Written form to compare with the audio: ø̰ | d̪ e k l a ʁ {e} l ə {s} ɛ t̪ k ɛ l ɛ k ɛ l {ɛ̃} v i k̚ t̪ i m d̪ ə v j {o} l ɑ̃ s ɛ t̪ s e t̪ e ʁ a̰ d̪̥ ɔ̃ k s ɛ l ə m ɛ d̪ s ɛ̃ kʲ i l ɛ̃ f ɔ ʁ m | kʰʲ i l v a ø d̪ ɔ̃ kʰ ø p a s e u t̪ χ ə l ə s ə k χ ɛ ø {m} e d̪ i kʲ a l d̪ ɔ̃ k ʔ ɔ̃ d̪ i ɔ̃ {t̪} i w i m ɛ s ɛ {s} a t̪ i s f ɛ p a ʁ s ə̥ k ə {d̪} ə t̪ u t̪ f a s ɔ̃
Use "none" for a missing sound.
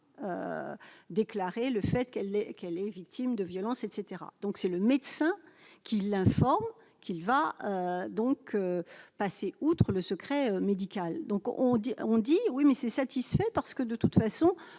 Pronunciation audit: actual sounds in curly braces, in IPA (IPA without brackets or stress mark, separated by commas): e, f, ɛ, ɔ, m, d̪, s, d̪